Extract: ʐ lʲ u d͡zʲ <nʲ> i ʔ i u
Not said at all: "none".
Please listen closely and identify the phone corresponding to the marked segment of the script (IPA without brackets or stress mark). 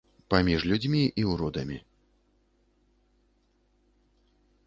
mʲ